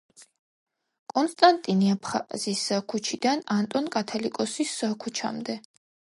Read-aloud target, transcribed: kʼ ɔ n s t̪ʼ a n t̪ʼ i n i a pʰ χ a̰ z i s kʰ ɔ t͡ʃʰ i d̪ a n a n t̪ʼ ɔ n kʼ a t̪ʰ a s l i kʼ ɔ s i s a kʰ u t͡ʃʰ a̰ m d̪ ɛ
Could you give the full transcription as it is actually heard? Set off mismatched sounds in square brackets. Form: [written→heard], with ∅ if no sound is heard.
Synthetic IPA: kʼ ɔ n s t̪ʼ a n t̪ʼ i n i a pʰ χ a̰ z i s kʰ [ɔ→u] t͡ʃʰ i d̪ a n a n t̪ʼ ɔ n kʼ a t̪ʰ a [s→∅] l i kʼ ɔ s i s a kʰ u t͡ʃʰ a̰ m d̪ ɛ